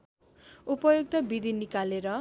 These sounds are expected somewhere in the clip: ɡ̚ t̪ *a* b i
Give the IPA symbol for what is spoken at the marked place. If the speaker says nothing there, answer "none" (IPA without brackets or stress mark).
ʌ